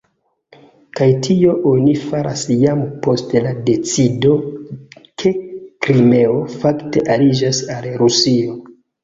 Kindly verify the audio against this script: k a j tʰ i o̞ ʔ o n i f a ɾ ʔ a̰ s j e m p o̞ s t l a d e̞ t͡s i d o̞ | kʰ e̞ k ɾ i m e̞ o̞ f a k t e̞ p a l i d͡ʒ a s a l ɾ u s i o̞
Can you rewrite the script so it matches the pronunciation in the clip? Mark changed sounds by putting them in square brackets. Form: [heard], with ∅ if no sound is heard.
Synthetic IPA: k a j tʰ i o̞ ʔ o n i f a ɾ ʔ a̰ s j [a] m p o̞ s t l a d e̞ t͡s i d o̞ | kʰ e̞ k ɾ i m e̞ o̞ f a k t e̞ [ʔ] a l i d͡ʒ a s a l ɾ u s i o̞